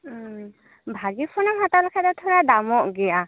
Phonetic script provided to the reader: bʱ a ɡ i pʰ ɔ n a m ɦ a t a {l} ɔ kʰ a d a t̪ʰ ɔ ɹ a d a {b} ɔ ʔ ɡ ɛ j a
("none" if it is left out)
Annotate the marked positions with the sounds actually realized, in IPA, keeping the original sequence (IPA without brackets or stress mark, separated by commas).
l, m